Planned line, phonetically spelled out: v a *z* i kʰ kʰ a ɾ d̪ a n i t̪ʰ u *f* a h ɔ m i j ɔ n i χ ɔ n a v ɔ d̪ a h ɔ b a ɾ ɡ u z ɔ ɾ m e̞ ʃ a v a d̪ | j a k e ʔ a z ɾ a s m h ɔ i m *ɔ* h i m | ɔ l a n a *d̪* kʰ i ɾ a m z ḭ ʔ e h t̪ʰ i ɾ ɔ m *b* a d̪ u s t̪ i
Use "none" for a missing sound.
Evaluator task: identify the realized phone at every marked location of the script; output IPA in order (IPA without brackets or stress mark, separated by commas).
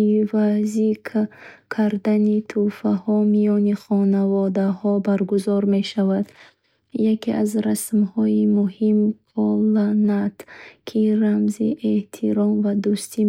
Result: z, f, u, t̪, v